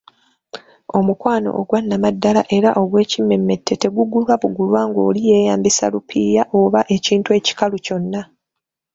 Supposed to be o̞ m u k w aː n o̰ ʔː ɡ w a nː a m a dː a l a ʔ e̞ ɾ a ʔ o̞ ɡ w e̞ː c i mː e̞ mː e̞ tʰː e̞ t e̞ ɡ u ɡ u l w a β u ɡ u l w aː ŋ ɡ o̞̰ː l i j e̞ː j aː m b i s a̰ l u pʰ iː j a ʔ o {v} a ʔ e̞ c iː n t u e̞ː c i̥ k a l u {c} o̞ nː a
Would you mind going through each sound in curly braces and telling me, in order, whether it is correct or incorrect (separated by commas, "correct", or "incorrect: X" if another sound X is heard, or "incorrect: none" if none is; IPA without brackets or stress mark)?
incorrect: β, correct